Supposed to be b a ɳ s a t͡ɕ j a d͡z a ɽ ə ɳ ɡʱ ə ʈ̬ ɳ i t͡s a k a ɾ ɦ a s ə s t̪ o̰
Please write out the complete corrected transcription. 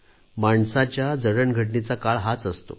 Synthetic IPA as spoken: m a ɳ s a t͡ɕ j a d͡z ə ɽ ə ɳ ɡʱ ə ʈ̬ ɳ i t͡s a k a ɭ ɦ a t͡s ə s t̪ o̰